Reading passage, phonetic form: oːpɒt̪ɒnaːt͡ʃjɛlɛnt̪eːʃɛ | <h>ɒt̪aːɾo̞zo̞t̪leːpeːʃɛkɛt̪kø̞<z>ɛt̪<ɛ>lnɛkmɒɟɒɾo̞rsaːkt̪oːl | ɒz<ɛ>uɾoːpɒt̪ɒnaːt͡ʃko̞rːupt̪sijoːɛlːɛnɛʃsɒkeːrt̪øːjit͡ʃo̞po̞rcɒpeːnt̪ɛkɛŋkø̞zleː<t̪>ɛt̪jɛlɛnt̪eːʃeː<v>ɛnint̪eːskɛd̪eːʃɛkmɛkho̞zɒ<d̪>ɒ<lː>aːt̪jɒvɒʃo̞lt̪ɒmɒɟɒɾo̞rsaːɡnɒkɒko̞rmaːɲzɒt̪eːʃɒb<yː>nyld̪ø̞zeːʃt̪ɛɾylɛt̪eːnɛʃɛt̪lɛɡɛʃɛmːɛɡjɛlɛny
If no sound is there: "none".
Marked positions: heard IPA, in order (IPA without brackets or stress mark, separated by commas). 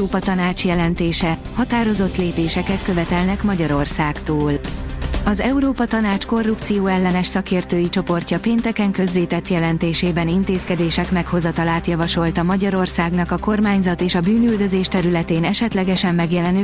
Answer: h, v, ɛ, ɛ, t̪, b, t̪, l, yː